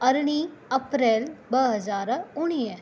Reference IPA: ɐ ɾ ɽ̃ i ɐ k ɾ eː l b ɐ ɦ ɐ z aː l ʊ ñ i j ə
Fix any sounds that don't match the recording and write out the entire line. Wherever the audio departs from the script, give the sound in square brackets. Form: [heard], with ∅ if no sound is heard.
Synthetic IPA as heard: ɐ ɾ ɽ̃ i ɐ [p] ɾ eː l b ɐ ɦ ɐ z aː [ɾ] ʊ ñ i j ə